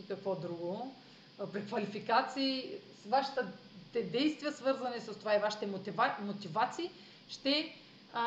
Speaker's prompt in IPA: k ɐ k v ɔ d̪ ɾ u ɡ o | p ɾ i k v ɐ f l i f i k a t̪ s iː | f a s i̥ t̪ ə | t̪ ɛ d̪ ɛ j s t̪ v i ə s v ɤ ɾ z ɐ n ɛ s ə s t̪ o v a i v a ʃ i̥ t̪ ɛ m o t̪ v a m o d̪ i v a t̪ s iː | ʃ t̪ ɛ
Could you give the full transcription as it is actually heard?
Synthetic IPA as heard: k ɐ k v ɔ d̪ ɾ u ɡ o | p ɾ i k v ɐ l i f i k a t̪ s iː | v a ʃ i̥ t̪ ə | t̪ ɛ d̪ ɛ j s t̪ v i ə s v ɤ ɾ z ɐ n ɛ s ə s t̪ o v a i v a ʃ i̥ t̪ ɛ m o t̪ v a m o t̪ i v a t̪ s iː | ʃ t̪ ɛ